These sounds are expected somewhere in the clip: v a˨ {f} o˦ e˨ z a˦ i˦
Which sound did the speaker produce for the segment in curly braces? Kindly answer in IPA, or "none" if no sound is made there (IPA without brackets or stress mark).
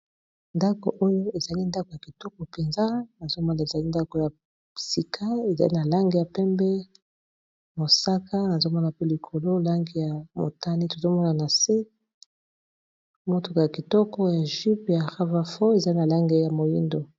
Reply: f